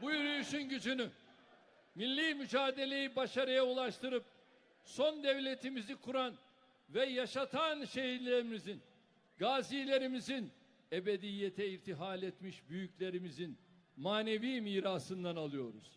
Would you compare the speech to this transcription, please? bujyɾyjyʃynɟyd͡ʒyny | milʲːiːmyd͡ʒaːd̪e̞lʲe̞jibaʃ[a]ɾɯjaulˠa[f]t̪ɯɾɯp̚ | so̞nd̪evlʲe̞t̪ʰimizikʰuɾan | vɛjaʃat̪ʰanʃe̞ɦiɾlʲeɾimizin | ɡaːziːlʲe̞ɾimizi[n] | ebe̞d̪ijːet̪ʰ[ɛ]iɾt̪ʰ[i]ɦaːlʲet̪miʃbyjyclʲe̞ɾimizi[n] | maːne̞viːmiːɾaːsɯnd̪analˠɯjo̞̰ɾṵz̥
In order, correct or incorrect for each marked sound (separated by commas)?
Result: correct, incorrect, correct, correct, correct, correct